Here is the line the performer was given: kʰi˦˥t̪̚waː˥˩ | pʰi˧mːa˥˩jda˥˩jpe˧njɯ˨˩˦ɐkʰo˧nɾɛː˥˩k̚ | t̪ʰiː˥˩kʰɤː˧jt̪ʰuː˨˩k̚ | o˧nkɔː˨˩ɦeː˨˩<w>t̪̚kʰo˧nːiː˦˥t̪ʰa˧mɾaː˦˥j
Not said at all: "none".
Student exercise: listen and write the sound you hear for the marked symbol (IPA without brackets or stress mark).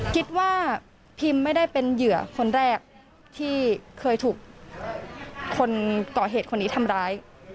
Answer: none